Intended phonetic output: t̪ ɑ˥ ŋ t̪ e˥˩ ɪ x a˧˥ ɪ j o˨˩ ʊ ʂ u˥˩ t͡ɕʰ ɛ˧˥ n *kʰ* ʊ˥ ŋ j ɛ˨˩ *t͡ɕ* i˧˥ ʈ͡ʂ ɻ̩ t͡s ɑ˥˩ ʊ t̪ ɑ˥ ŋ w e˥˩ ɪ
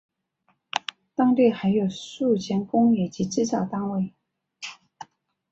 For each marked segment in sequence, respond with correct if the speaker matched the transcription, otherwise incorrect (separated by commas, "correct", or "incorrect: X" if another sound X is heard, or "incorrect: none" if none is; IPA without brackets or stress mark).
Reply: incorrect: k, correct